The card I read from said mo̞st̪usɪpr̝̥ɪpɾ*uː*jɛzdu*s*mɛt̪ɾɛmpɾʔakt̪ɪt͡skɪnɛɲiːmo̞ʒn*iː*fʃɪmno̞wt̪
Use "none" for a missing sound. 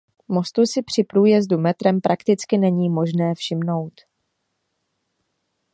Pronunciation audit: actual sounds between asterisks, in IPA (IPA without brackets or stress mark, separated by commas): uː, none, ɛː